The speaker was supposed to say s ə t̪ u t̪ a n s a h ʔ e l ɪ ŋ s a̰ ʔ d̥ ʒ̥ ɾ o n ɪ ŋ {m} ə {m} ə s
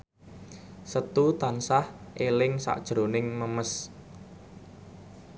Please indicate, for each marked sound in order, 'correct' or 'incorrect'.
correct, correct

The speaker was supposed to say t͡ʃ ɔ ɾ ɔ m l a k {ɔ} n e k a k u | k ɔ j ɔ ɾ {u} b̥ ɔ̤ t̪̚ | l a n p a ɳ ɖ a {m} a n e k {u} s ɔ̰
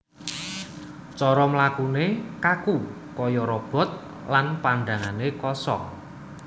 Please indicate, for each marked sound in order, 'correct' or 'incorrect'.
incorrect: u, incorrect: ɔ, incorrect: ŋ, incorrect: ɔ

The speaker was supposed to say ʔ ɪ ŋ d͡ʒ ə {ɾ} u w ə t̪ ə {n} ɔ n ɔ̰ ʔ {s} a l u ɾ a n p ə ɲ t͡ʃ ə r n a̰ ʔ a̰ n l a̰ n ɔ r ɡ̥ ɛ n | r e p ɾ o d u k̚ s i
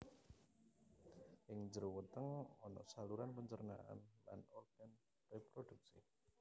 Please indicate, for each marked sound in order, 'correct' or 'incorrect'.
correct, incorrect: ŋ, correct

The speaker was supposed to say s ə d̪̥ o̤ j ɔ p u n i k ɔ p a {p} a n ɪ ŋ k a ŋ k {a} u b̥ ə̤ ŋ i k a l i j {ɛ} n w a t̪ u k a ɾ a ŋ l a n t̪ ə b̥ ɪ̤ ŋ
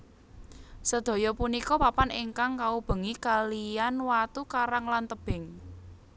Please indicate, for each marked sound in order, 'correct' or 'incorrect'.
correct, correct, incorrect: a

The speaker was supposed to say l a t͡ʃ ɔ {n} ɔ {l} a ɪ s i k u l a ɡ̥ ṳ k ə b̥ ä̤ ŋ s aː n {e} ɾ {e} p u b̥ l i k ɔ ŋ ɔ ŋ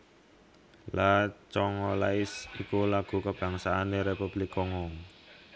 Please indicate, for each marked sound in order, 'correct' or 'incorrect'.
incorrect: ŋ, correct, correct, correct

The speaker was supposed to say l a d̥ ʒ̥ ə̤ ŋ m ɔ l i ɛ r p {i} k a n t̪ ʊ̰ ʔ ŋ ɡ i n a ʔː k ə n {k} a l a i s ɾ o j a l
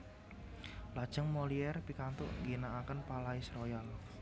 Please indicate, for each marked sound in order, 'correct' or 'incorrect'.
correct, incorrect: p

